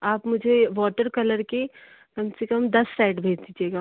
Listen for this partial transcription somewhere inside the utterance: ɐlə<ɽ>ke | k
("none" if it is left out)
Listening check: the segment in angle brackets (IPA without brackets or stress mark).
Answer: ɾ